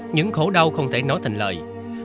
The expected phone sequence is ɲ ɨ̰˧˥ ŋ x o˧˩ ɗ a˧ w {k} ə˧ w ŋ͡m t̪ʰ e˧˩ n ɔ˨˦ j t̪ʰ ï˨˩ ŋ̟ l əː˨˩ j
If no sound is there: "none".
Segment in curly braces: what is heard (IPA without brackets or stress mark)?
x